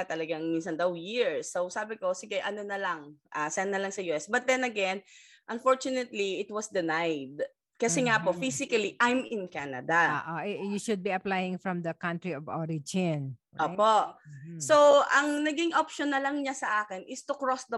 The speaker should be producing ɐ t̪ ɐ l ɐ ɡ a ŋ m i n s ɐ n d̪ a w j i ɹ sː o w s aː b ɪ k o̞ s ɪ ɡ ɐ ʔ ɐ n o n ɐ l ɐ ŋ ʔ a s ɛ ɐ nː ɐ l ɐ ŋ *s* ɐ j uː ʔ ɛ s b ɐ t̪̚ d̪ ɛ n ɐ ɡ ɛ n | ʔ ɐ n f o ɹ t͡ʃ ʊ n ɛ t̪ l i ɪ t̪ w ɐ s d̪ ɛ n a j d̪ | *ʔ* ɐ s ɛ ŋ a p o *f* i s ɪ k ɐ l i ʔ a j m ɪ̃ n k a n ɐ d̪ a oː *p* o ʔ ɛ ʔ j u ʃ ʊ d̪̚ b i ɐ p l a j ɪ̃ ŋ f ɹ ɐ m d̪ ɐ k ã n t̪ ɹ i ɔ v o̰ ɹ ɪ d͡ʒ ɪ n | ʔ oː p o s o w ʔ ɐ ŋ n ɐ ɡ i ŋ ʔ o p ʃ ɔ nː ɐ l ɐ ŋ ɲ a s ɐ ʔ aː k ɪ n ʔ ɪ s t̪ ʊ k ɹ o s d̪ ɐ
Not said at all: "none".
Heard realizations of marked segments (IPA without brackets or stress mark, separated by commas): s, k, f, ʔ